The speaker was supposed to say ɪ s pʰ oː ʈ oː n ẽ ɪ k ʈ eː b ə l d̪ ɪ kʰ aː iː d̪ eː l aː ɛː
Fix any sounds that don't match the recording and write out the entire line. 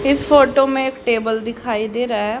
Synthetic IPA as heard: ɪ s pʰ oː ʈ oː m ẽ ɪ k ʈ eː b ə l d̪ ɪ kʰ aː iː d̪ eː ɾ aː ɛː